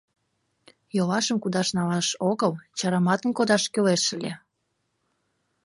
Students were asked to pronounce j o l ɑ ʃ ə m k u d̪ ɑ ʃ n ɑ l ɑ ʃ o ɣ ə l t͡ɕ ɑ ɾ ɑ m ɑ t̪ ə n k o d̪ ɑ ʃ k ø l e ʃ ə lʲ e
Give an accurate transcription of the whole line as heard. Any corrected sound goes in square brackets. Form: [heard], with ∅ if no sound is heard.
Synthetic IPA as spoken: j o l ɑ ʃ ə m k u d̪ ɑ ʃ n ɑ l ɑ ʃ o ɣ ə l t͡ɕ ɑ ɾ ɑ m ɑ t̪ ə n k o d̪ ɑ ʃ k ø l e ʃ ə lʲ e